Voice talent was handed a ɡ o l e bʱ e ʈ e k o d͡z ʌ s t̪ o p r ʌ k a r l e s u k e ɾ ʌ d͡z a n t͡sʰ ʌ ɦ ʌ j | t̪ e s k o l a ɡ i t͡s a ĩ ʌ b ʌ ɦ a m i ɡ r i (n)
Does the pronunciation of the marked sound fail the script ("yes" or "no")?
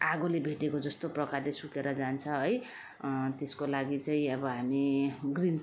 no